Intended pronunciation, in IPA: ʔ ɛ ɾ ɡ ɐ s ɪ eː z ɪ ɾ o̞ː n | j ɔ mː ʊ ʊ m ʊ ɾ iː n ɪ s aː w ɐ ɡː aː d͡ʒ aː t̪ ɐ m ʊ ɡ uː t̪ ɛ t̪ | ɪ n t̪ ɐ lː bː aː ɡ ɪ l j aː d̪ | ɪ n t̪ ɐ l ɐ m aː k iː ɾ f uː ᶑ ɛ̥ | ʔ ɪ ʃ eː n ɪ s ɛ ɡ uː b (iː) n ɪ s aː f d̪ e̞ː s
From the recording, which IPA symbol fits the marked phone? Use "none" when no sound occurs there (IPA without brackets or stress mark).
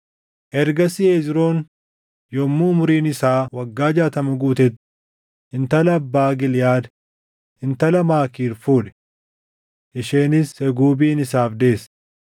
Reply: iː